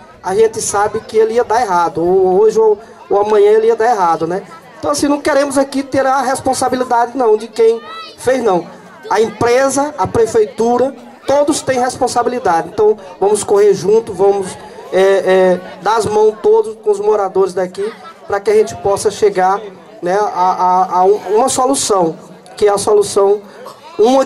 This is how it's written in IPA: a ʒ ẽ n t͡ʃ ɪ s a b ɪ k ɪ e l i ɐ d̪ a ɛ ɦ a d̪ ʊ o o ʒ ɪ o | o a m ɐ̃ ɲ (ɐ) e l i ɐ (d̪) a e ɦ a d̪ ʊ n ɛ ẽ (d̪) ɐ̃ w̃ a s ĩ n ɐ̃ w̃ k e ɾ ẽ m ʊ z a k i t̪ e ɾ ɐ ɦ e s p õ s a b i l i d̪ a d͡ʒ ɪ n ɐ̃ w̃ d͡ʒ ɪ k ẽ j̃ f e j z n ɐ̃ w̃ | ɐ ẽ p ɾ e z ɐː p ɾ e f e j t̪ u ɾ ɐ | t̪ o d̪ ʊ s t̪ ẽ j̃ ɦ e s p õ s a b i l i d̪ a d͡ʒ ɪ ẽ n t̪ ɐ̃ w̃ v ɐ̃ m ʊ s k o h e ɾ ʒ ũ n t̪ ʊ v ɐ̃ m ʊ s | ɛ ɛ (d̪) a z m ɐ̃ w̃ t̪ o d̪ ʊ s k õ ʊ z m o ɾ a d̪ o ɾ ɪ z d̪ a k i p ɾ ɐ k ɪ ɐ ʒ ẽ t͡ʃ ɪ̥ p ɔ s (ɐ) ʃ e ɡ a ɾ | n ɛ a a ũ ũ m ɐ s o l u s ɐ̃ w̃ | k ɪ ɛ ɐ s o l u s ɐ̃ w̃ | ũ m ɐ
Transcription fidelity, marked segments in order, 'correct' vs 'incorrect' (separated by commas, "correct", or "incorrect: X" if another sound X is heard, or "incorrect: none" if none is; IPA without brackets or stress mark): incorrect: ɐ̃, correct, incorrect: t̪, correct, correct